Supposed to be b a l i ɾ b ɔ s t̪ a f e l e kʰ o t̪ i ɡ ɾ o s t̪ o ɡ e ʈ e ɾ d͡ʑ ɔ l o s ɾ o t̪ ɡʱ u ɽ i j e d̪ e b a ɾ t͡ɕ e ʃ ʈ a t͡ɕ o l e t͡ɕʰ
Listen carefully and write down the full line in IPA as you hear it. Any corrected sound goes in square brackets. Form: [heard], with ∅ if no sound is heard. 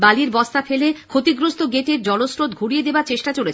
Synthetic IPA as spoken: b a l i ɾ b ɔ s t̪ a f e l e kʰ o t̪ i ɡ ɾ o s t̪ o ɡ e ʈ e ɾ d͡ʑ ɔ l o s ɾ o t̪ ɡʱ u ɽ i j e d̪ e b a ɾ t͡ɕ e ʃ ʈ a t͡ɕ o l e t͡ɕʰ